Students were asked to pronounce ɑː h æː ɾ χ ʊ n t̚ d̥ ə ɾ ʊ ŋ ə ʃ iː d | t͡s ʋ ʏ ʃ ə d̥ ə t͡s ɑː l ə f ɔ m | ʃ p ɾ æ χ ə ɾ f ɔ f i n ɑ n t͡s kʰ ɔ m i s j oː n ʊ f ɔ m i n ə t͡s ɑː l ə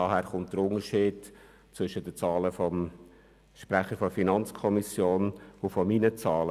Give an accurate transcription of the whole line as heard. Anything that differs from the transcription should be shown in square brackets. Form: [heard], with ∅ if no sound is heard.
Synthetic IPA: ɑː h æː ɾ χ ʊ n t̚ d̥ ə ɾ ʊ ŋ ə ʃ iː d | t͡s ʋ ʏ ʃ ə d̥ ə t͡s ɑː l ə f ɔ m | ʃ p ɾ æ χ ə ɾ f ɔ f i n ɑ n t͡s kʰ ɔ m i s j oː n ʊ f ɔ m i n ə t͡s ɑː l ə